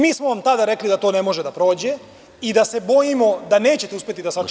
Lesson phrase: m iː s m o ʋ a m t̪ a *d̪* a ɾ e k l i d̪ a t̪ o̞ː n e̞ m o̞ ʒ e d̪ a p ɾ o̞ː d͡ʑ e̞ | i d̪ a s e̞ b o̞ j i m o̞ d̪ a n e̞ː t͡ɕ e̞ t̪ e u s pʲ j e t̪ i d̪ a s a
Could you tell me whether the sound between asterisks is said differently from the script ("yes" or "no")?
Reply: no